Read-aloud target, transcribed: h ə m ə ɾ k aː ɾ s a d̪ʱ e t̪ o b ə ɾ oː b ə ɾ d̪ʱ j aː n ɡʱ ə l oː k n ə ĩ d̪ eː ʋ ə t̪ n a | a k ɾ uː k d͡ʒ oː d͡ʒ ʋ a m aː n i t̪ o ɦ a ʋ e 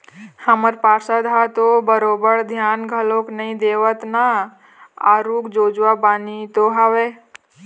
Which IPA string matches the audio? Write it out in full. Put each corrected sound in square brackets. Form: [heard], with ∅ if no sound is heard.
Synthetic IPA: h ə m ə ɾ [p] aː ɾ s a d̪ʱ [a] t̪ o b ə ɾ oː b ə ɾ d̪ʱ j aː n ɡʱ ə l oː k n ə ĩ d̪ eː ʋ ə t̪ n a | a [∅] ɾ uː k d͡ʒ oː d͡ʒ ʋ a [b] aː n i t̪ o ɦ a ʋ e